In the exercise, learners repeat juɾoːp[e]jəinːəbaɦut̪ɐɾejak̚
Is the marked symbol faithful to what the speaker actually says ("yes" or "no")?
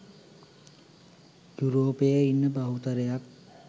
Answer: yes